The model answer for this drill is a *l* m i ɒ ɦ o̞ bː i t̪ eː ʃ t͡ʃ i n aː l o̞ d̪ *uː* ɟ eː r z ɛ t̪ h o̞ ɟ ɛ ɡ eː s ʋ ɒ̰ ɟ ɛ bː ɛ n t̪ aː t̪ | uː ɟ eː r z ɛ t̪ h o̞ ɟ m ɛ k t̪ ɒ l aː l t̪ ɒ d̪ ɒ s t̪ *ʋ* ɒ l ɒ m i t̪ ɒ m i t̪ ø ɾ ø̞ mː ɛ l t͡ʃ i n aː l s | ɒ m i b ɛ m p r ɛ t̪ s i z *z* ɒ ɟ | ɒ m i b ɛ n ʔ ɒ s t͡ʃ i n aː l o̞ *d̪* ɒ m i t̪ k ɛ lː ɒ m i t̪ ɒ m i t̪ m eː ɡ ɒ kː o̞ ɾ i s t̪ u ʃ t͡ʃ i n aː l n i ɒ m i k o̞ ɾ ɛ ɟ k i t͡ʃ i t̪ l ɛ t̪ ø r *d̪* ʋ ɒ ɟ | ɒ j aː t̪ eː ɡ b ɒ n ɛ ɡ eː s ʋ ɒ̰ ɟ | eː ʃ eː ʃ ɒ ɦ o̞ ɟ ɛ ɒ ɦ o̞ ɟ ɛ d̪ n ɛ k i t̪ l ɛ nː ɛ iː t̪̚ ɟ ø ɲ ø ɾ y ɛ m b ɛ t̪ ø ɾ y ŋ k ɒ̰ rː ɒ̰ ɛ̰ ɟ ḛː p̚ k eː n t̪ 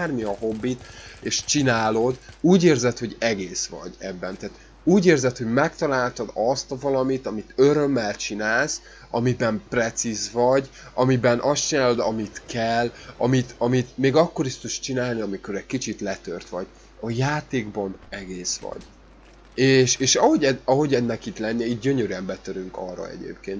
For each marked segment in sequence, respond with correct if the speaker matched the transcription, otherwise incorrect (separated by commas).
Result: incorrect, correct, incorrect, incorrect, correct, incorrect